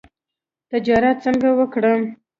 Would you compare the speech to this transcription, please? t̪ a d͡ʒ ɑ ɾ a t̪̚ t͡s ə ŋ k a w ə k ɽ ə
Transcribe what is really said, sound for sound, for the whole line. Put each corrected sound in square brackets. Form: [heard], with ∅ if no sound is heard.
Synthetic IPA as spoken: t̪ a d͡ʒ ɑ ɾ a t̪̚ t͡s ə ŋ [ɡ] a w ə k ɽ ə

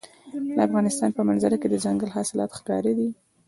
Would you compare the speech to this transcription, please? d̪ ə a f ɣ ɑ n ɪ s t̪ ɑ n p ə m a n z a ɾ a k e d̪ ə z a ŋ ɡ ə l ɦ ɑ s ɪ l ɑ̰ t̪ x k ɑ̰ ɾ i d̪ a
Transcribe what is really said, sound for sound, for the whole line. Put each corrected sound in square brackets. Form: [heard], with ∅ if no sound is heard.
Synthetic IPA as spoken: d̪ ə a f ɣ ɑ n ɪ s t̪ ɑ n p ə m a n z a ɾ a k e d̪ ə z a ŋ ɡ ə l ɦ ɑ s ɪ l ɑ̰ t̪ x k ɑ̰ ɾ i d̪ [i]

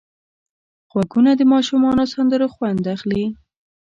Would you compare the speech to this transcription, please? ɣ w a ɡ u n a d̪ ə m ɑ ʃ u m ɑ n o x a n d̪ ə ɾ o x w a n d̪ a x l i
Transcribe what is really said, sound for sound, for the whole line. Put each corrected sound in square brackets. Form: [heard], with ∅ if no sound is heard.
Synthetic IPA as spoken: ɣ w a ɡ u n a d̪ ə m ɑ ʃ u m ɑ n o [s] a n d̪ ə ɾ o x w a n d̪ a x l i

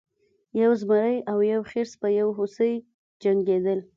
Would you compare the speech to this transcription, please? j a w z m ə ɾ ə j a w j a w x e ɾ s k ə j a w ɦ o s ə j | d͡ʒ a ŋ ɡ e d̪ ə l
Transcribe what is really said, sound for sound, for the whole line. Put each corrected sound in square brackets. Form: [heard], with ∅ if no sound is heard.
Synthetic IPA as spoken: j a w z m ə ɾ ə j a w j a w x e ɾ s [p] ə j a w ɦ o s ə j | d͡ʒ a ŋ ɡ e d̪ ə l

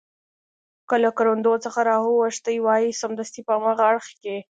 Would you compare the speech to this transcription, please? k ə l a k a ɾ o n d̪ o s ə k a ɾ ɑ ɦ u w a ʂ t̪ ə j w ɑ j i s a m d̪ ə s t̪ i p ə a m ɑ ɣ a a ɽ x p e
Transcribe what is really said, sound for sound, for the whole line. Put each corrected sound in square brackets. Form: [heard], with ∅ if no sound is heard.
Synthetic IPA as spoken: k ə l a k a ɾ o n d̪ o [t͡s] ə [x] a ɾ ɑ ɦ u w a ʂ t̪ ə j w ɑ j i s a m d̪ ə s t̪ i p ə a m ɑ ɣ a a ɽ x [k] e

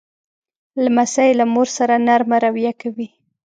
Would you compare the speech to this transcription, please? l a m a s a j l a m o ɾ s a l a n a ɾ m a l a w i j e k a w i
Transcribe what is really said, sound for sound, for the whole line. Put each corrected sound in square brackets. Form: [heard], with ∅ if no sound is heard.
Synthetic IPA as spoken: l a m a s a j l a m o ɾ s a [ɾ] a n a ɾ m a [ɾ] a w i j [a] k a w i

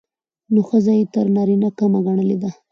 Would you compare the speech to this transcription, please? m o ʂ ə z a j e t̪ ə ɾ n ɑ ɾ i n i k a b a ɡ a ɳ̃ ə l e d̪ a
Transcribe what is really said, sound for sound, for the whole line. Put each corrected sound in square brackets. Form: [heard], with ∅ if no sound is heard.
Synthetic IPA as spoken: [n] o [x] ə z a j e t̪ ə ɾ n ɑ ɾ i n [a] k a [m] a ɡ a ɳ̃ ə l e d̪ a

